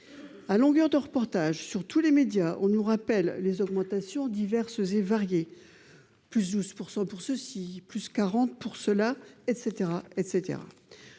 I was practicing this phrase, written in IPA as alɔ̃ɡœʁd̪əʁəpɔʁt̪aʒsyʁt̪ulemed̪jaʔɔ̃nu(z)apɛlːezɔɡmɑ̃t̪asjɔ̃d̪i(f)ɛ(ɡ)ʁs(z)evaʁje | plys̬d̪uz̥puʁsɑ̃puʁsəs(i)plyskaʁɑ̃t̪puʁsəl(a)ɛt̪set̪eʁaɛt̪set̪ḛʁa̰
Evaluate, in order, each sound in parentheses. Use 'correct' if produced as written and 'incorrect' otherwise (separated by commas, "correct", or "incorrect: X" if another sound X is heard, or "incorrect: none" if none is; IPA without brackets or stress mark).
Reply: incorrect: ʁ, incorrect: v, incorrect: none, correct, correct, correct